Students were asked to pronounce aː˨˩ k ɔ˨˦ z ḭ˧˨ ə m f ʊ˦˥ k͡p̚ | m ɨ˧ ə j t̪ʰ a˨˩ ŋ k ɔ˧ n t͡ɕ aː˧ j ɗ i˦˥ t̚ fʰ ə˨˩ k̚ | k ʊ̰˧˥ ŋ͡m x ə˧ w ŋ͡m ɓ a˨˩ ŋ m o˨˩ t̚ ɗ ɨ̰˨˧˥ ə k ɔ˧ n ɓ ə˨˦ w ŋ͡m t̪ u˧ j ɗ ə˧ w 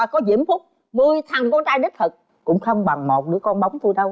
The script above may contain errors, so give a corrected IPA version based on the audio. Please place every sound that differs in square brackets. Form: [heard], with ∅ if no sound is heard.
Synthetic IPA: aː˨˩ k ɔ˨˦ z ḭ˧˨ ə m f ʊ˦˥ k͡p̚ | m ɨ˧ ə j t̪ʰ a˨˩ ŋ k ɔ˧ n t͡ɕ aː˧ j ɗ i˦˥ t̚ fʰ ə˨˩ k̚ | k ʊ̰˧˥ ŋ͡m x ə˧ w ŋ͡m ɓ a˨˩ ŋ m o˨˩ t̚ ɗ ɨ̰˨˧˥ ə k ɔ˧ n ɓ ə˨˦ w ŋ͡m t̪ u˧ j ɗ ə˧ w